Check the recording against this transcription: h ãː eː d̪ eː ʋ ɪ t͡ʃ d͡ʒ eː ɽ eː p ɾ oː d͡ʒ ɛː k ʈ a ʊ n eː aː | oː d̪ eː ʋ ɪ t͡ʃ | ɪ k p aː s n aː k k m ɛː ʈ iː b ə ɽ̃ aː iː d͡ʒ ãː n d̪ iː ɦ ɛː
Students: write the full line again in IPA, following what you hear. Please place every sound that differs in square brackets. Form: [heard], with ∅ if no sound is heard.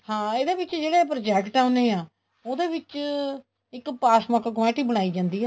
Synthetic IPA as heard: h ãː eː d̪ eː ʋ ɪ t͡ʃ d͡ʒ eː ɽ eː p ɾ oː d͡ʒ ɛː k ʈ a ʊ n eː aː | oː d̪ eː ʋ ɪ t͡ʃ | ɪ k p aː s [m] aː k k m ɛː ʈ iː b ə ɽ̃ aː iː d͡ʒ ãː n d̪ iː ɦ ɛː